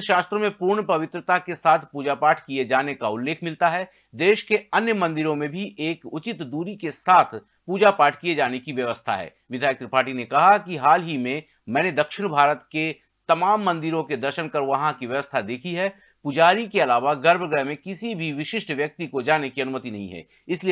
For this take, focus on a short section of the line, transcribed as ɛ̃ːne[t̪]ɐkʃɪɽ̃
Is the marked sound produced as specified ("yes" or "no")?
no